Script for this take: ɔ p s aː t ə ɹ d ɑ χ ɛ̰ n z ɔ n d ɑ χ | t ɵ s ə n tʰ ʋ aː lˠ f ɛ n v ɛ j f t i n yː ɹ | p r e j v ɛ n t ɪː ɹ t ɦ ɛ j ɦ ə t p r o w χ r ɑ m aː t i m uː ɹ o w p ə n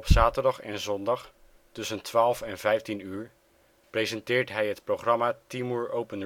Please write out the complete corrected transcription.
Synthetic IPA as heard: ɔ p s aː t ə ɹ d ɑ χ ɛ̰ n z ɔ n d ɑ χ | t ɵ s ə n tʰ ʋ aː lˠ f ɛ n v ɛ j f t i n yː ɹ | p r e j z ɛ n t ɪː ɹ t ɦ ɛ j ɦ ə t p r o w χ r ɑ m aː t i m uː ɹ o w p ə n